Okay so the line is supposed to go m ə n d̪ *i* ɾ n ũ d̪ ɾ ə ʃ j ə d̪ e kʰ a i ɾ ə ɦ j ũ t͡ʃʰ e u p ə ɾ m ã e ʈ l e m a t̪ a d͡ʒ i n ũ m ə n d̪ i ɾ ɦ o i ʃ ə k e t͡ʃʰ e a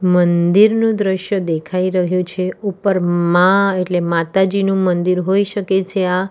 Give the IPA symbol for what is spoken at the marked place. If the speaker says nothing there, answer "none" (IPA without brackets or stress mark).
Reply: i